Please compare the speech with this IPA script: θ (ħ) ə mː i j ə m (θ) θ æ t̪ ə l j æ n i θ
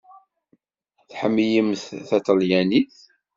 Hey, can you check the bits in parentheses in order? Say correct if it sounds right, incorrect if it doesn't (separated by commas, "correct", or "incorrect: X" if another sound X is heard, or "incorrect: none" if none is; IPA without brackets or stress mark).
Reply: correct, correct